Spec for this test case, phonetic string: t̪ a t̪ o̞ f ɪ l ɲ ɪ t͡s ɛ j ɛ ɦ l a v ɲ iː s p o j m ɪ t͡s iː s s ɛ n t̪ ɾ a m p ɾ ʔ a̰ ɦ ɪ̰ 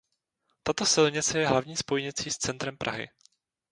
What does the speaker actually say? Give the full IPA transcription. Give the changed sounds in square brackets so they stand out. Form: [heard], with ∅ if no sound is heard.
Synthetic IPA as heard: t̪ a t̪ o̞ [s] ɪ l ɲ ɪ t͡s ɛ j ɛ ɦ l a v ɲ iː s p o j [ɲ] ɪ t͡s iː s [t͡s] ɛ n t̪ ɾ [ɛ] m p ɾ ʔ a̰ ɦ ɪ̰